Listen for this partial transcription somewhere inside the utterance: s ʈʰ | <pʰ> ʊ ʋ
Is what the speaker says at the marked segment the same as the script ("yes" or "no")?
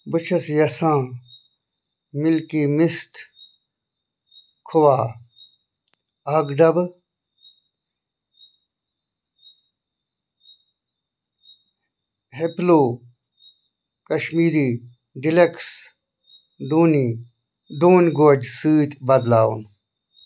no